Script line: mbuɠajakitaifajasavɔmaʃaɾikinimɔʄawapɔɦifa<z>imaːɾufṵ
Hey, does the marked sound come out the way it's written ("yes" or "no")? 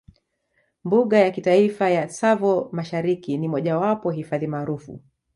no